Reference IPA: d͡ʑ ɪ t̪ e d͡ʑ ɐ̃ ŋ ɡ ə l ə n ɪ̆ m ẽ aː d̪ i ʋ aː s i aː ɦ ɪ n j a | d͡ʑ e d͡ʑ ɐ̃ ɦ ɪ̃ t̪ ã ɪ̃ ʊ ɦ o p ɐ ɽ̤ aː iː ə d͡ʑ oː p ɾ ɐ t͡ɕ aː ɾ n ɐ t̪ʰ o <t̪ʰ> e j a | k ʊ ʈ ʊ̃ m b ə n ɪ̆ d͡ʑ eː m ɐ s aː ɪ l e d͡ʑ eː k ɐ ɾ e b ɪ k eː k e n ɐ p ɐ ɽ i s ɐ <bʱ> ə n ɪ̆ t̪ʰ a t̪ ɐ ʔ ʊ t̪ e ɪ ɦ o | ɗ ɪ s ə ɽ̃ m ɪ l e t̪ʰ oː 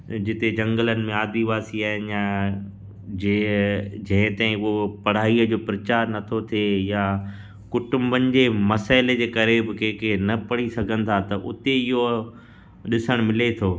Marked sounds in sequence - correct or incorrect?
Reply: correct, incorrect: ɡʱ

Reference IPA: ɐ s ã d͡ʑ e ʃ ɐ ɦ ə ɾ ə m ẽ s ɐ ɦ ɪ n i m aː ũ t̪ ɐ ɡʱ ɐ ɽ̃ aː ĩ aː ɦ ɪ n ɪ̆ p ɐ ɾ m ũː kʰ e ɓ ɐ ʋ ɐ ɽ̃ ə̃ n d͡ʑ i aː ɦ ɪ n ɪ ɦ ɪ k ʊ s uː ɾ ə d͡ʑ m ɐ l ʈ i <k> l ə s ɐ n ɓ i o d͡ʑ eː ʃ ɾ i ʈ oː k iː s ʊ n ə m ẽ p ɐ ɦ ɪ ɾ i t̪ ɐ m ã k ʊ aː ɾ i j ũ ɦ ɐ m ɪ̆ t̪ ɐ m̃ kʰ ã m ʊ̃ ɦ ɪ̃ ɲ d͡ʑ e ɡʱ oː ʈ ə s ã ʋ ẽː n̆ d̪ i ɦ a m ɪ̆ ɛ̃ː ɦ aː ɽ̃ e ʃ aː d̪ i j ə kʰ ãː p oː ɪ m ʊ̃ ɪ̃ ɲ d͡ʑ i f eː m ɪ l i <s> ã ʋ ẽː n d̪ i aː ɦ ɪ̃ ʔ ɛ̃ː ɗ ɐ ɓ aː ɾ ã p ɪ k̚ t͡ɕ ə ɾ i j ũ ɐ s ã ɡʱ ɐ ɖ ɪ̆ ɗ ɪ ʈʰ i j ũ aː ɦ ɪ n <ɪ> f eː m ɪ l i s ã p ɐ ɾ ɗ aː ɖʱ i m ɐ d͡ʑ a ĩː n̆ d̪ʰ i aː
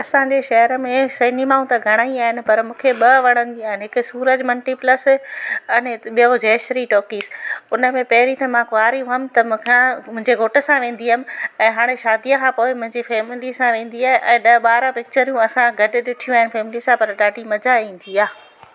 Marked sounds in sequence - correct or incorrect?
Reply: incorrect: p, correct, correct

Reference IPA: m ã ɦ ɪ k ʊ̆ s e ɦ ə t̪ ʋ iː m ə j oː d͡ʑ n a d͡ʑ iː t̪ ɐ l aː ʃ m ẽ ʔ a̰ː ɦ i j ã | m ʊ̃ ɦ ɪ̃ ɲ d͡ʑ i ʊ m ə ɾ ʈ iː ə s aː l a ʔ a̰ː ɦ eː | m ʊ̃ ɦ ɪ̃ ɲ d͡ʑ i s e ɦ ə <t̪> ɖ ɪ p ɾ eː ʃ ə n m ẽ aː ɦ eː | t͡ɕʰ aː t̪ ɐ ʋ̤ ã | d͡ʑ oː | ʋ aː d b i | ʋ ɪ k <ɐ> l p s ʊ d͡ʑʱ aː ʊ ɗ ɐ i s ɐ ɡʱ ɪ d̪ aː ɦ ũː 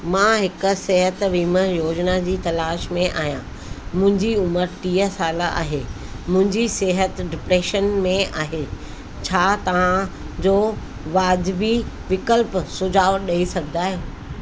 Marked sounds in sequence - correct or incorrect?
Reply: correct, incorrect: ə

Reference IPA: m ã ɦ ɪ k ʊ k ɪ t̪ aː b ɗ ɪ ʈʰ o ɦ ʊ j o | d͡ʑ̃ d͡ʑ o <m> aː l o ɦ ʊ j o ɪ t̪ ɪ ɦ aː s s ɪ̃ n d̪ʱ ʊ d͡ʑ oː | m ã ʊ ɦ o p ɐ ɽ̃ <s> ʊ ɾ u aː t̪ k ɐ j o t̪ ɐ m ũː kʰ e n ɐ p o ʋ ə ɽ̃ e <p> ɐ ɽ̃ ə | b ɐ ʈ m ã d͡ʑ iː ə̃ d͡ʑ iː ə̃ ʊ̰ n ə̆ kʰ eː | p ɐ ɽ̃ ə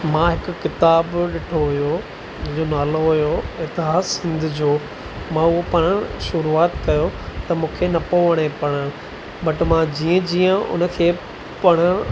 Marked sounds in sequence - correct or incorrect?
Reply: incorrect: n, incorrect: ʃ, correct

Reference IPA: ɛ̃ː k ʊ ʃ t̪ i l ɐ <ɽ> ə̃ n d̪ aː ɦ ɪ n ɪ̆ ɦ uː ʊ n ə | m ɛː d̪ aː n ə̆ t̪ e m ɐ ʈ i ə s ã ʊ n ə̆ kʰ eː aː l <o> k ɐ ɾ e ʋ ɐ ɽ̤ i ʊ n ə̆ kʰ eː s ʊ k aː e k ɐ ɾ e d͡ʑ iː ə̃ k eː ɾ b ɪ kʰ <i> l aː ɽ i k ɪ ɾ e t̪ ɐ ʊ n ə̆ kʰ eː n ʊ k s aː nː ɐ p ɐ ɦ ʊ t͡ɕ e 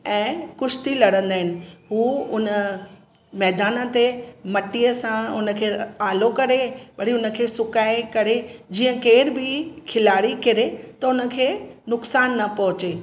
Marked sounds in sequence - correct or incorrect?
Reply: correct, correct, incorrect: ɪ

